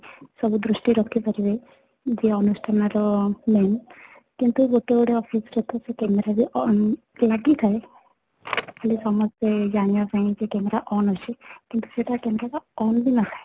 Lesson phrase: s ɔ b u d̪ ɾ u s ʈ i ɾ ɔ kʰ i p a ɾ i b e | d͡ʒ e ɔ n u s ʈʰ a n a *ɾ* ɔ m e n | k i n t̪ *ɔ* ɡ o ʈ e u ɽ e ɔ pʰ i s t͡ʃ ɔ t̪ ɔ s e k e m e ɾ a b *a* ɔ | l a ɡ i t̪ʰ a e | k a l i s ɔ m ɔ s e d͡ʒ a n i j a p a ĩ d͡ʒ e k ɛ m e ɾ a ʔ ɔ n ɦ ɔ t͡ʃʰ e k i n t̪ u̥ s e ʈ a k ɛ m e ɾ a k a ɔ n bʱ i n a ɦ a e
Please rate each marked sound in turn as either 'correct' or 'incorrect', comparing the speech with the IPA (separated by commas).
correct, incorrect, incorrect